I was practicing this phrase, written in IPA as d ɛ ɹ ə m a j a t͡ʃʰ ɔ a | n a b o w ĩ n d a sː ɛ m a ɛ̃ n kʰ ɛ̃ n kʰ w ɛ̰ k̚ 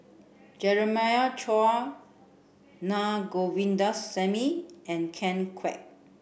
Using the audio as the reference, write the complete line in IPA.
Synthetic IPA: d͡ʒ ɛ ɹ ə m a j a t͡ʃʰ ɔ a | n a ɡ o w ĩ n d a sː ɛ m i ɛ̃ n kʰ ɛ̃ n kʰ w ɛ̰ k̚